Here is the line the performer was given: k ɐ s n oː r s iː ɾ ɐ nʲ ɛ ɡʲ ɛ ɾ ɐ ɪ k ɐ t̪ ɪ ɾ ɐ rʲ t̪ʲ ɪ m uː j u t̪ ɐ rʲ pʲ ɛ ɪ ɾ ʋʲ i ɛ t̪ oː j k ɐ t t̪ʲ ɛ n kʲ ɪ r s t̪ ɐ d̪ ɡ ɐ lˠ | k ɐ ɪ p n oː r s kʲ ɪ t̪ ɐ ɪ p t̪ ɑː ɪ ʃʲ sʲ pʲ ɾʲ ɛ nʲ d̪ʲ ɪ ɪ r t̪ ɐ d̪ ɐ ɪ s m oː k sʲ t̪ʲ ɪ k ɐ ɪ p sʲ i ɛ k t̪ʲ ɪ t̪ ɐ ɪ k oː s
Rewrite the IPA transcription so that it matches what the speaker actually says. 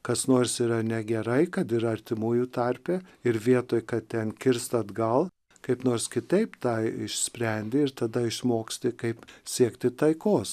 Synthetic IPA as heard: k ɐ s n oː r s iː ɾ ɐ nʲ ɛ ɡʲ ɛ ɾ ɐ ɪ k ɐ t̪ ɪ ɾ ɐ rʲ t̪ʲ ɪ m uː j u t̪ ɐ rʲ pʲ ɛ ɪ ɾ ʋʲ i ɛ t̪ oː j k ɐ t t̪ʲ ɛ n kʲ ɪ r s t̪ ɐ d̪ ɡ ɐ lˠ | k ɐ ɪ p n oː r s kʲ ɪ t̪ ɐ ɪ p t̪ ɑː ɪ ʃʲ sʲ pʲ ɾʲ ɛ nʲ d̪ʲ ɪ ɪ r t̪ ɐ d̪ ɐ ɪ ʃ m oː k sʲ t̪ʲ ɪ k ɐ ɪ p sʲ i ɛ k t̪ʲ ɪ t̪ ɐ ɪ k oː s

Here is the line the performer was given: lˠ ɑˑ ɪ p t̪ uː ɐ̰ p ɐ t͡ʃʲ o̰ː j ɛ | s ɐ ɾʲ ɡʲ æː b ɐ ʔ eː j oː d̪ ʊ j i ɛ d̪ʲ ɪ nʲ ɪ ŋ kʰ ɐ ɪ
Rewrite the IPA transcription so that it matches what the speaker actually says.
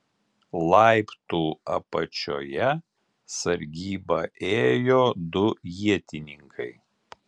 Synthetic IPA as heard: lˠ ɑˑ ɪ p t̪ uː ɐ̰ p ɐ t͡ʃʲ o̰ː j ɛ | s ɐ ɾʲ ɡʲ iː b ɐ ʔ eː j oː d̪ ʊ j i ɛ t̪ʲ ɪ nʲ ɪ ŋ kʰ ɐ ɪ

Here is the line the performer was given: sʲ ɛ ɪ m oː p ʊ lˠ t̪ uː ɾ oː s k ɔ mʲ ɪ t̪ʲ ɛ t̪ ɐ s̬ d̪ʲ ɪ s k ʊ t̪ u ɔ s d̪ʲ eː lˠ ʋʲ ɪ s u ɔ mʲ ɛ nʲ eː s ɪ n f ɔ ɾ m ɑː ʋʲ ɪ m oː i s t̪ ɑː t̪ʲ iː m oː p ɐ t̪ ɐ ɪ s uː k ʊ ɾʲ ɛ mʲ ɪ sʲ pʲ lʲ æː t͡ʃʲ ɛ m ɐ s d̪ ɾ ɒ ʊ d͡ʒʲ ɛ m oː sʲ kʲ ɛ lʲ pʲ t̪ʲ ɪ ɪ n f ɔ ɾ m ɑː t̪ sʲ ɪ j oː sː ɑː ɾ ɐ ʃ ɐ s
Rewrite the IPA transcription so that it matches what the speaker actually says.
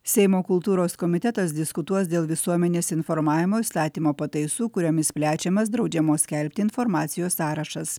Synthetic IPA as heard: sʲ ɛ ɪ m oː k ʊ lˠ t̪ uː ɾ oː s k ɔ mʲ ɪ t̪ʲ ɛ t̪ ɐ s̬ d̪ʲ ɪ s k ʊ t̪ u ɔ s d̪ʲ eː lˠ ʋʲ ɪ s u ɔ mʲ ɛ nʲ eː s ɪ n f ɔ ɾ m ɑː ʋʲ ɪ m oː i s t̪ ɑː t̪ʲ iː m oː p ɐ t̪ ɐ ɪ s uː k ʊ ɾʲ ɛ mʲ ɪ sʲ pʲ lʲ æː t͡ʃʲ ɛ m ɐ s d̪ ɾ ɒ ʊ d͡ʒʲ ɛ m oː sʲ kʲ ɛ lʲ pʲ t̪ʲ ɪ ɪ n f ɔ ɾ m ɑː t̪ sʲ ɪ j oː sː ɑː ɾ ɐ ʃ ɐ s

